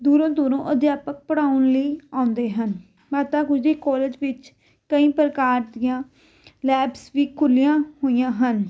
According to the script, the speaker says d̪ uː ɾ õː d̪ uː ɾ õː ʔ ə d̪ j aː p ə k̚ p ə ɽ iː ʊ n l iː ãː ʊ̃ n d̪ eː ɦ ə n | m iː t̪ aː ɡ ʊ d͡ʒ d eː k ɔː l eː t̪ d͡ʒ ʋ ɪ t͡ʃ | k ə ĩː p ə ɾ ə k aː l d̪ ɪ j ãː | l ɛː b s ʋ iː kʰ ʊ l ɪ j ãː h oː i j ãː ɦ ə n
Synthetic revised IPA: d̪ uː ɾ õː d̪ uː ɾ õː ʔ ə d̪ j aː p ə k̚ p ə ɽ aː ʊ n l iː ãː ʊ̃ n d̪ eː ɦ ə n | m aː t̪ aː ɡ ʊ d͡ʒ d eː k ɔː l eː d͡ʒ ʋ ɪ t͡ʃ | k ə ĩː p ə ɾ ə k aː ɾ d̪ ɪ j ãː | l ɛː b s ʋ iː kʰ ʊ l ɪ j ãː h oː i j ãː ɦ ə n